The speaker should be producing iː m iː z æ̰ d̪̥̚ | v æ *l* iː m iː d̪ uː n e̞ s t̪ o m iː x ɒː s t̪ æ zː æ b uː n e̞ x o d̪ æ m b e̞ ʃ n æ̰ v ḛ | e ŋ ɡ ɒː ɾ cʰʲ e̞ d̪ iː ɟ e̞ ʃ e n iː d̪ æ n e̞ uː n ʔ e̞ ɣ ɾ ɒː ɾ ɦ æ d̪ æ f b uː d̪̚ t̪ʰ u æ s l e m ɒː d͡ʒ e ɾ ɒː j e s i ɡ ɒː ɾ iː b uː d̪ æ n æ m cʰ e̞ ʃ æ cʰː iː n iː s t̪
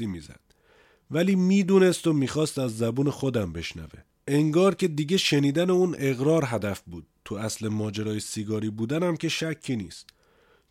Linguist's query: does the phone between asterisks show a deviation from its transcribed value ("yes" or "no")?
no